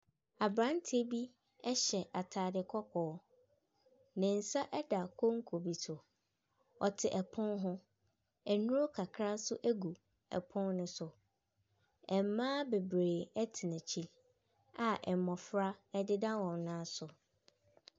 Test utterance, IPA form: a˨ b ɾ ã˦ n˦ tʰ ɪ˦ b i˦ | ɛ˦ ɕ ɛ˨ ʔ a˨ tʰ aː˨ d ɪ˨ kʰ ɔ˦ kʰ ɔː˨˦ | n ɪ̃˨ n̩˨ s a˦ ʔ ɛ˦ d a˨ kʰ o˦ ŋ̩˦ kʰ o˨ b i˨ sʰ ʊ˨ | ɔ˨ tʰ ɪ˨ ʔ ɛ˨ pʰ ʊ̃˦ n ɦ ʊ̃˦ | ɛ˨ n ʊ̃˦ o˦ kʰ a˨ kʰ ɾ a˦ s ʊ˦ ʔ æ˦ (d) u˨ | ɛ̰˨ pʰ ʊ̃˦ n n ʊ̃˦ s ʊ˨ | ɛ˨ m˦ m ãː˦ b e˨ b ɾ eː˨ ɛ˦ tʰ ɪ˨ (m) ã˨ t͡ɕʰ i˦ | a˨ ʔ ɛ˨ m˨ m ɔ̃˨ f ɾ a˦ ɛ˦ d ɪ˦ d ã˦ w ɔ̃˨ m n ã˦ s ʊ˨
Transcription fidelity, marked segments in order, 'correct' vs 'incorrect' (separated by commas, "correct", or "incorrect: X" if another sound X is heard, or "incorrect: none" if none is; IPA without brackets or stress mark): incorrect: ɡ, incorrect: n